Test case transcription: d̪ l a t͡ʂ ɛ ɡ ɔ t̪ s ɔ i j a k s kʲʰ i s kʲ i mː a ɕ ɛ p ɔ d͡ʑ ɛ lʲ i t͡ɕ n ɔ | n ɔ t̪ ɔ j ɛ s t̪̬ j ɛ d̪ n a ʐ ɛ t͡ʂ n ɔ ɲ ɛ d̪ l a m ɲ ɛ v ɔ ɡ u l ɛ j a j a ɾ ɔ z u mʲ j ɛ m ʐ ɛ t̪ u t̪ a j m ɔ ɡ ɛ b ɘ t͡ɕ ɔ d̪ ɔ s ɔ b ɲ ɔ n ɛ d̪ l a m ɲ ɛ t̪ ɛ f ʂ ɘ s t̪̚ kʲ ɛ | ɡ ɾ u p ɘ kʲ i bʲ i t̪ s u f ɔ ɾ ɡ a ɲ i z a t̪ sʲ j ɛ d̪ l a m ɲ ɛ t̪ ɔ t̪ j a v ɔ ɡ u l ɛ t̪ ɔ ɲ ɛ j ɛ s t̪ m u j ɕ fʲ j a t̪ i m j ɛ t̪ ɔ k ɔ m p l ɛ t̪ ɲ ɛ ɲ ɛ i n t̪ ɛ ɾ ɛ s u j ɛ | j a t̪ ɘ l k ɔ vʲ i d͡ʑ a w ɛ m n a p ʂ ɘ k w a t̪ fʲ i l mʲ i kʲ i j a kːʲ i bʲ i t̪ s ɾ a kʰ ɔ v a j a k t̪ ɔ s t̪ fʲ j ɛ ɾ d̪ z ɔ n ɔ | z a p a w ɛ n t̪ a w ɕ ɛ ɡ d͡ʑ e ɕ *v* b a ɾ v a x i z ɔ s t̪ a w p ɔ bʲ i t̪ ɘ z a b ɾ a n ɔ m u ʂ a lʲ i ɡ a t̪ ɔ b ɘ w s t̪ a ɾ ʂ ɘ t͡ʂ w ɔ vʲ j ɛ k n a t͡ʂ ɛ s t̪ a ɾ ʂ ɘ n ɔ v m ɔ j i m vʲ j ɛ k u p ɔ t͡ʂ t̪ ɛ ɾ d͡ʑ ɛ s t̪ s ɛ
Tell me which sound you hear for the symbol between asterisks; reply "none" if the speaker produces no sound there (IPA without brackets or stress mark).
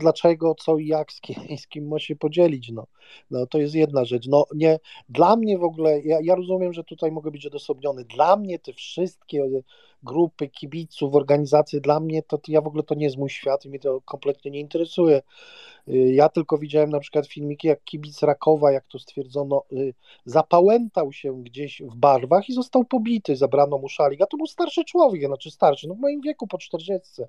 v